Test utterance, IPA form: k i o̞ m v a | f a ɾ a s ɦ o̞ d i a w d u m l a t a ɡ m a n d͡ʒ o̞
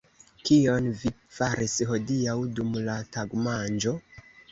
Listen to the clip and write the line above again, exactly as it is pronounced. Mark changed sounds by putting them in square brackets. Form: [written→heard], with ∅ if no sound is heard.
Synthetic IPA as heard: k i o̞ [m→n] v [a→i] | f a ɾ [a→i] s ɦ o̞ d i a w d u m l a t a ɡ m a n d͡ʒ o̞